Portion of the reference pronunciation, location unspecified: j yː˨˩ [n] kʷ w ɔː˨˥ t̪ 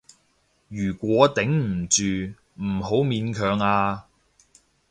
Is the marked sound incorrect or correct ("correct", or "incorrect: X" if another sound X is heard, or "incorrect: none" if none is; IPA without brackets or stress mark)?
incorrect: none